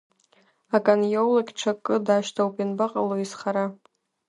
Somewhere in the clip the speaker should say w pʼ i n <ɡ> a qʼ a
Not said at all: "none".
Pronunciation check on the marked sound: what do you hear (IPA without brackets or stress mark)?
b